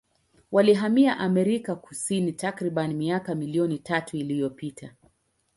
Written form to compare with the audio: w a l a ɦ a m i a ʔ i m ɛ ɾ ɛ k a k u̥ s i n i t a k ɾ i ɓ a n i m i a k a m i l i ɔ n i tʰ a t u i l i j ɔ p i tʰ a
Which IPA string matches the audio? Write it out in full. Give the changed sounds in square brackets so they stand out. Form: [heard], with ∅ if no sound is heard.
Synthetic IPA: w a l [i] ɦ a m i a ʔ [a] m ɛ ɾ [i] k a k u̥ s i n i t a k ɾ i ɓ a n i m i a k a m i l i ɔ n i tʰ a t u i l i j ɔ p i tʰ a